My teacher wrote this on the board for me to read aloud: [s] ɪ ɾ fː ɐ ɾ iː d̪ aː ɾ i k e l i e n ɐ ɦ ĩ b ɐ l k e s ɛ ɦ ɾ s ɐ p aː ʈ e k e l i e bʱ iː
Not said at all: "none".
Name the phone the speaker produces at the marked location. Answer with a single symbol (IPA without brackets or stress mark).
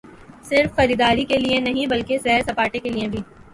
s